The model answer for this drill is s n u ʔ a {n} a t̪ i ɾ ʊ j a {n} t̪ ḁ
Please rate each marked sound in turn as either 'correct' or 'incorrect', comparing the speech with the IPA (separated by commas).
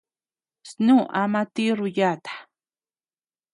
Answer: incorrect, incorrect